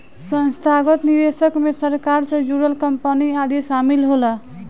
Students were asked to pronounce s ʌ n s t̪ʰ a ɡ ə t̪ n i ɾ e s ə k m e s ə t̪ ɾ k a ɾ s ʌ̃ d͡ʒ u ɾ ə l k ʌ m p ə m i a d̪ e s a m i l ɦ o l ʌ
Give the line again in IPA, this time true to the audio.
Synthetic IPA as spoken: s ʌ n s t̪ʰ a ɡ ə t̪ n i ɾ e s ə k m e s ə ɾ k a ɾ s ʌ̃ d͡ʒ u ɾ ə l k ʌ m p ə n i a d̪ e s a m i l ɦ o l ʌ